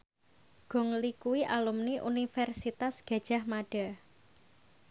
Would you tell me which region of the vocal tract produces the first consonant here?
velum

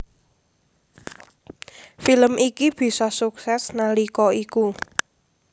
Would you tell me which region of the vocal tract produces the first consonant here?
lips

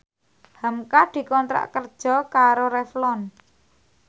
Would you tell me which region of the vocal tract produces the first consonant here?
throat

